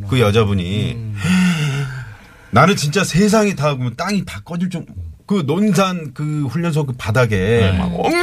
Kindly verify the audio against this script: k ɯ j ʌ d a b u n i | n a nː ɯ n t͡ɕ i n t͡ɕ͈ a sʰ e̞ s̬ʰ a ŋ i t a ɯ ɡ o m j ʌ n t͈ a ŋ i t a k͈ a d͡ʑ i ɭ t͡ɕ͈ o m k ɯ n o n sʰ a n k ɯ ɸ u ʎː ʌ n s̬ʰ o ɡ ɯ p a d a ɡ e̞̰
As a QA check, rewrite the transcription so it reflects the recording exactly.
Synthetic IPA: k ɯ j ʌ d͡ʑ a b u ɲ i | n a n ɯ n t͡ɕ i n t͡ɕ͈ a sʰ e̞ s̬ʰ a ŋ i t a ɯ ɡ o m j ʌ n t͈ a ŋ i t a k͈ ʌ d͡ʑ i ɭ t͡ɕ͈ o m k ɯ n o n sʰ a n k ɯ ɸ u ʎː ʌ n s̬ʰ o ɡ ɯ p a d a ɡ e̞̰